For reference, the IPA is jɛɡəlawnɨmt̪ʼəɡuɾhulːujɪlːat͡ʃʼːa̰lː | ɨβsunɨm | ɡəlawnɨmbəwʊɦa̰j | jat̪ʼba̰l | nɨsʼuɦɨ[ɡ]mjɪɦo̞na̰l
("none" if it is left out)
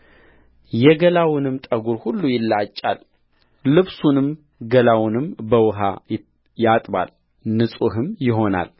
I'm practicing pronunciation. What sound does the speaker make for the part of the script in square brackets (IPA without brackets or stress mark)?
none